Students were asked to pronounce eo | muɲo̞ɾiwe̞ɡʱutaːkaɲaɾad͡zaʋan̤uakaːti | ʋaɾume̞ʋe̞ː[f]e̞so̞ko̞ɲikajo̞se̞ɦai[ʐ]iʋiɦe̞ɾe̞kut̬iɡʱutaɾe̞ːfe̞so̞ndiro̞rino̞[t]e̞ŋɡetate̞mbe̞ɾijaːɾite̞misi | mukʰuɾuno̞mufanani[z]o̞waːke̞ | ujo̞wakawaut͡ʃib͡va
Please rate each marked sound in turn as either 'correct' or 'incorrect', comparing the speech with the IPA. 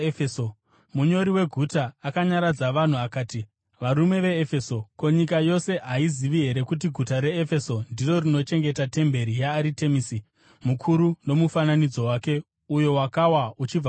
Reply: correct, incorrect: z, incorrect: t͡ʃ, incorrect: d͡z

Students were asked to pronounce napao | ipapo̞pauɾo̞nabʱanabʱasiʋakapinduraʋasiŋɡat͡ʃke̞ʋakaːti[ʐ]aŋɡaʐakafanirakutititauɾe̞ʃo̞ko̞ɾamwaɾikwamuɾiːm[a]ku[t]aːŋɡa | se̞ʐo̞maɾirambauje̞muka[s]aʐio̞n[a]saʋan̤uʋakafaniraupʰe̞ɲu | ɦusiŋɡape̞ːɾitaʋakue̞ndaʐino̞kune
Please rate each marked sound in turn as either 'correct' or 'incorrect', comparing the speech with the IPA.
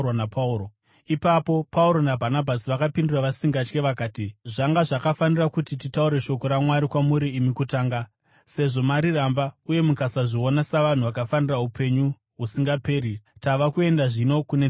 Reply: correct, incorrect: i, correct, correct, correct

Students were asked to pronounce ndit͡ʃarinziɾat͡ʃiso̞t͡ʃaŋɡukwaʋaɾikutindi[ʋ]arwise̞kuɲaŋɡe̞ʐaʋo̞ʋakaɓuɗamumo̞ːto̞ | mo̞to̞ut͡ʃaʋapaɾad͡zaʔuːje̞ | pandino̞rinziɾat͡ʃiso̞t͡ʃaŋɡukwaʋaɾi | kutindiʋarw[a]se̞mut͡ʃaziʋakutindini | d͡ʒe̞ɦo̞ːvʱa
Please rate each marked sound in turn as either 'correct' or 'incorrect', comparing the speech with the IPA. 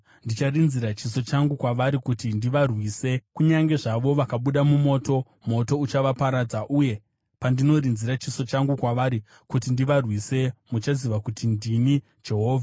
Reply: correct, incorrect: i

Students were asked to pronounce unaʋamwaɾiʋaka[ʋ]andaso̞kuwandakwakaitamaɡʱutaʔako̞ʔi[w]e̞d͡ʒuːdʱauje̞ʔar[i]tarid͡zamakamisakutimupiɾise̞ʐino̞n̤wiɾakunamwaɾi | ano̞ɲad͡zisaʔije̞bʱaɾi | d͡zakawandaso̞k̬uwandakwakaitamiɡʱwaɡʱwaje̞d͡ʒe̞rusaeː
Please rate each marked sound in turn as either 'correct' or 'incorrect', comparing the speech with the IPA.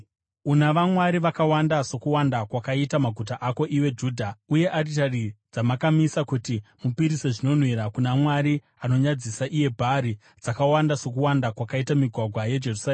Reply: incorrect: w, correct, correct

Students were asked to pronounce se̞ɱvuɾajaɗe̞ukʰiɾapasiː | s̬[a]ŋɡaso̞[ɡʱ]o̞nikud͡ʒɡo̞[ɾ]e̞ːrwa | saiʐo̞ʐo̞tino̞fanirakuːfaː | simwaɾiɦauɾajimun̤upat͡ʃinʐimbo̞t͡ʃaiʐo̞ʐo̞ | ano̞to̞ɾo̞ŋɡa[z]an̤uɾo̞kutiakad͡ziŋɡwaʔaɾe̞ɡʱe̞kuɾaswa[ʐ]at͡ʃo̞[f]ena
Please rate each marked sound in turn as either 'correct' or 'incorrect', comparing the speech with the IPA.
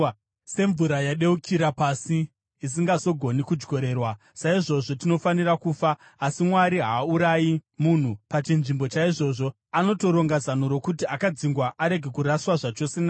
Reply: incorrect: i, correct, correct, correct, correct, incorrect: s

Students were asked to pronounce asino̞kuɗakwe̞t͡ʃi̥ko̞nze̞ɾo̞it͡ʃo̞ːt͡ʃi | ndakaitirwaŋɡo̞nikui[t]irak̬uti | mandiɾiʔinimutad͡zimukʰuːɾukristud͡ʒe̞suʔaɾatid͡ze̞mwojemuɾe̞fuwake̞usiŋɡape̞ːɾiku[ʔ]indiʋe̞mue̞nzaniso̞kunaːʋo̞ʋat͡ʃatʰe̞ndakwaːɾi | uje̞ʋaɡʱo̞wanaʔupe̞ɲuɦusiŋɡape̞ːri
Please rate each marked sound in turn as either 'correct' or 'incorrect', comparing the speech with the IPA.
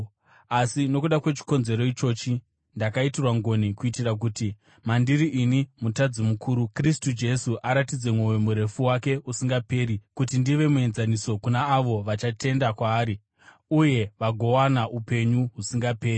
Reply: correct, incorrect: t

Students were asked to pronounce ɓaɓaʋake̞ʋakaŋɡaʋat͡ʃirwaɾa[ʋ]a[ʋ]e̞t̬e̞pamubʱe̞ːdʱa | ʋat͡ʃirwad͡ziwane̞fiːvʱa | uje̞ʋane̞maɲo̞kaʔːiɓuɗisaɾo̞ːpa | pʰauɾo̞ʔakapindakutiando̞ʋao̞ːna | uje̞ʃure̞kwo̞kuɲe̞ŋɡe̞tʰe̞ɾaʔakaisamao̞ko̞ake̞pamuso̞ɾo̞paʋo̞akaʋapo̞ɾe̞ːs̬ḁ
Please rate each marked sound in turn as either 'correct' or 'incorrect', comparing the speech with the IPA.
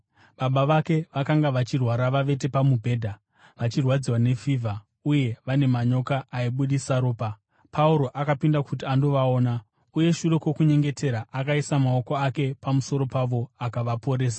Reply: correct, correct

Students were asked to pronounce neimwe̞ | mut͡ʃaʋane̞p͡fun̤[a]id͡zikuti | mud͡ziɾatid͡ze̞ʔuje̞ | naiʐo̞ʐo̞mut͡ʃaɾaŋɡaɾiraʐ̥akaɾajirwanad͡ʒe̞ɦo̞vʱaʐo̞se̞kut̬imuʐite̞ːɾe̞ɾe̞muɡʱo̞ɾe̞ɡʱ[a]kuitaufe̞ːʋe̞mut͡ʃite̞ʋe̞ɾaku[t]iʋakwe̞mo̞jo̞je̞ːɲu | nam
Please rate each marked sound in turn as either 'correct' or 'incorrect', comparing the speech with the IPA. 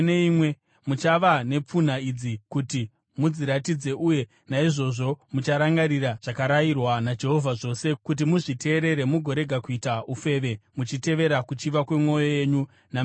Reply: correct, correct, incorrect: t͡ʃ

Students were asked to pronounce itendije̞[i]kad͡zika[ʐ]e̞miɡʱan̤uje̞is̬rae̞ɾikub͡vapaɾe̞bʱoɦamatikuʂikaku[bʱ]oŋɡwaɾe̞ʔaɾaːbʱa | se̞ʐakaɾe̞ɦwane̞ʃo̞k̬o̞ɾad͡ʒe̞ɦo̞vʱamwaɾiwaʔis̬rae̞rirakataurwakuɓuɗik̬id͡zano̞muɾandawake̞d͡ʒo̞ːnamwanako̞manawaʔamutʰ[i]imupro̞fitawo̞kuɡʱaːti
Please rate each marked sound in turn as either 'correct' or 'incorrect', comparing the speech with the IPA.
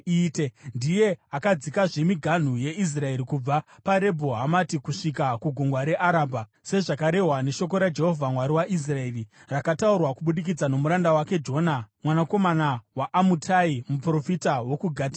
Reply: incorrect: a, correct, incorrect: ɡʱ, incorrect: a

